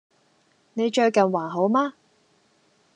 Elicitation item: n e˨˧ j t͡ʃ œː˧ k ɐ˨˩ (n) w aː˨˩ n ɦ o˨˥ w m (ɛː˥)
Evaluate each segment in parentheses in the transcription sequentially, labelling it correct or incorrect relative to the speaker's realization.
correct, incorrect: aː˥

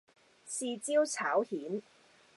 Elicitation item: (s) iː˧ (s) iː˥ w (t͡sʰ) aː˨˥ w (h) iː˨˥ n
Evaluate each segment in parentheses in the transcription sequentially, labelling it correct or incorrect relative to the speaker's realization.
correct, incorrect: t͡s, correct, correct

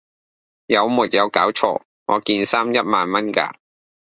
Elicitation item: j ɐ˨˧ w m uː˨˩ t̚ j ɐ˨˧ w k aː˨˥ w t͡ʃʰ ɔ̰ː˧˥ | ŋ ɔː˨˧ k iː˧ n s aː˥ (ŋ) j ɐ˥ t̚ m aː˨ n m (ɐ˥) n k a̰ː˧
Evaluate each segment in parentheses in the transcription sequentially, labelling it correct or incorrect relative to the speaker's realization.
incorrect: m, correct

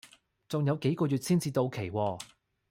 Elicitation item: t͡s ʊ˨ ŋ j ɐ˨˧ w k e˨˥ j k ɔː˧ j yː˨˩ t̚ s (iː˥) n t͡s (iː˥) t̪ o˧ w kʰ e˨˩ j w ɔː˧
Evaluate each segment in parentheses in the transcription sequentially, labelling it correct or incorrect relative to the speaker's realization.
correct, incorrect: iː˧

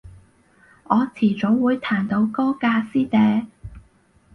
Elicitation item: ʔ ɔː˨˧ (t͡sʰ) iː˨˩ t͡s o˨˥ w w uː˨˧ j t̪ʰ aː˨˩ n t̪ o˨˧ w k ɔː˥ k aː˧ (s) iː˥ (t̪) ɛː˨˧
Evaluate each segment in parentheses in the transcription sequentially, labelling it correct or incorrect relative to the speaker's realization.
correct, correct, correct

